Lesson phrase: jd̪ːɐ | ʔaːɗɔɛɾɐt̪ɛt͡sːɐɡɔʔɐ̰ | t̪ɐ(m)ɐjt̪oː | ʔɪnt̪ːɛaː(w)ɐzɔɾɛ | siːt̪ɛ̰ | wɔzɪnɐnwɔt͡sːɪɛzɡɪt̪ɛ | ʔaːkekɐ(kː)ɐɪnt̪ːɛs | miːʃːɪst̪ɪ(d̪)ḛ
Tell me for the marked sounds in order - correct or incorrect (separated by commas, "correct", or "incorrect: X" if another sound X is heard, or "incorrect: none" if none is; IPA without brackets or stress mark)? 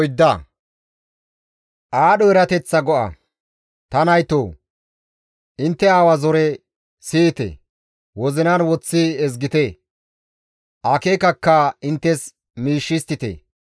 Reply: incorrect: n, correct, correct, incorrect: t̪